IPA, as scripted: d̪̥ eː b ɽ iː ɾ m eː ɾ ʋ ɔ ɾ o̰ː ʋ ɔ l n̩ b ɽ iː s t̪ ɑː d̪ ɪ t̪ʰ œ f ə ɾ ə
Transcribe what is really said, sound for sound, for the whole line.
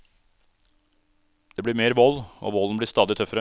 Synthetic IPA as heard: d̪̥ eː b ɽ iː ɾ m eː ɾ ʋ ɔ l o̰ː ʋ ɔ l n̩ b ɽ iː s t̪ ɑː d̪ ɪ t̪ʰ œ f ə ɾ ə